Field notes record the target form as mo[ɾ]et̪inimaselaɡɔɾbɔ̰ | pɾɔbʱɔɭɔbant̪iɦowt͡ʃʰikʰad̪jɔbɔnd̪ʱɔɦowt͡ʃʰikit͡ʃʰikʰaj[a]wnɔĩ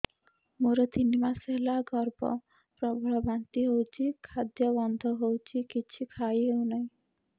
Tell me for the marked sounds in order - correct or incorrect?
correct, incorrect: e

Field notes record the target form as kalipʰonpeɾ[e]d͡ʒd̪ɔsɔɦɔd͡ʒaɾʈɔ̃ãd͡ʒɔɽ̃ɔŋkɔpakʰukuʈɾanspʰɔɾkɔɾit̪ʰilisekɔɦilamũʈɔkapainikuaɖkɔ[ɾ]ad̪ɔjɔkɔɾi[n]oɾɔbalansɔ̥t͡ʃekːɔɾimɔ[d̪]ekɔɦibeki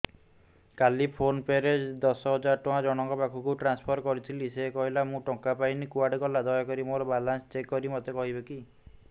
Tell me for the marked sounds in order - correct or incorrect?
correct, incorrect: l, incorrect: m, incorrect: t̪

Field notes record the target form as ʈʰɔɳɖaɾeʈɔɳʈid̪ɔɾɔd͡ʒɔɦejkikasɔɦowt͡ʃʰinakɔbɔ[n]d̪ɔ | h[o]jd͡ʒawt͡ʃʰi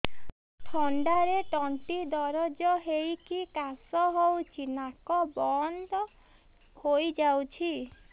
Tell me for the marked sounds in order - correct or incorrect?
correct, correct

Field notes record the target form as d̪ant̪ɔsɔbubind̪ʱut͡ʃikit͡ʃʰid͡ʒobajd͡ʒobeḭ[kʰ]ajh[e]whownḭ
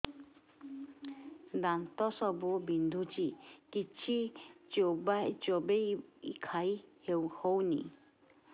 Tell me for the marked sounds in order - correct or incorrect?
correct, correct

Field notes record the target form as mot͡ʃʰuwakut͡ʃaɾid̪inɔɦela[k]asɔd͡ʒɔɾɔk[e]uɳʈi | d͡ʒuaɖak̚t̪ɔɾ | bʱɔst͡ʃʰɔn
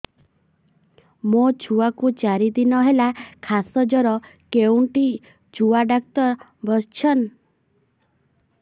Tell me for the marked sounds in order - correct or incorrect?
incorrect: kʰ, correct

